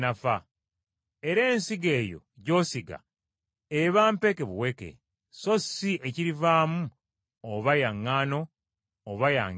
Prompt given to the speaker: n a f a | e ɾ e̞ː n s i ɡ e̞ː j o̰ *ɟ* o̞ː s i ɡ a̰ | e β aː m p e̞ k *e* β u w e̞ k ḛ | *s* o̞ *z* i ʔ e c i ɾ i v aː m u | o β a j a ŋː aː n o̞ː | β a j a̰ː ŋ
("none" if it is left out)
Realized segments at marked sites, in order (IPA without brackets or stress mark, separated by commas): ɟ, e, s, s